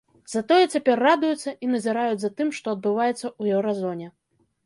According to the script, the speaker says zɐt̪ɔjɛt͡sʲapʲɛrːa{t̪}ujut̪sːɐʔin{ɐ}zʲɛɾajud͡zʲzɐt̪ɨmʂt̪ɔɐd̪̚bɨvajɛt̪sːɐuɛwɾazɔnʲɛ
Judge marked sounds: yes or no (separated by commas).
no, yes